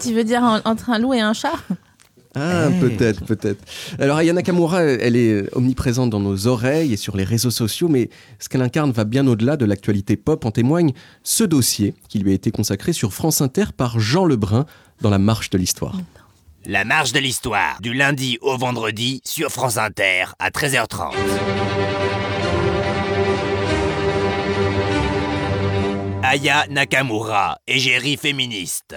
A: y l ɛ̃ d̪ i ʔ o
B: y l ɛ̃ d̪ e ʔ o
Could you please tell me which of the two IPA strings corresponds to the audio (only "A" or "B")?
A